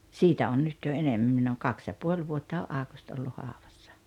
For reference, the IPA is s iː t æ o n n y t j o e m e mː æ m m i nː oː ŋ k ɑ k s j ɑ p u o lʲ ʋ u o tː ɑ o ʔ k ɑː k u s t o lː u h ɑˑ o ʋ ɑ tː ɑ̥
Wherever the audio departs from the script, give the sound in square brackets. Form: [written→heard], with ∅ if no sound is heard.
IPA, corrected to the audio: s iː t æ o n n y t j o e [m→n] e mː æ m m i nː oː ŋ k ɑ k s j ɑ p u o lʲ ʋ u o tː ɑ o ʔ [k→ʔ] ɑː k u s t o lː u h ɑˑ o ʋ ɑ [tː→sː] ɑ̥